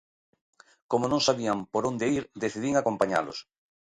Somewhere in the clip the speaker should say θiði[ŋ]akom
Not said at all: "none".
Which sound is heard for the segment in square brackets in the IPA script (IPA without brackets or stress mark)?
ŋ